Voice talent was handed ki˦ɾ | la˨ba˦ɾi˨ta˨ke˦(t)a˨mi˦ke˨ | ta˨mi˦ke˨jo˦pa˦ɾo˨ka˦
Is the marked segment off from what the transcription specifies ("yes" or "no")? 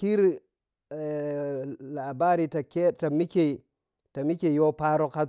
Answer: no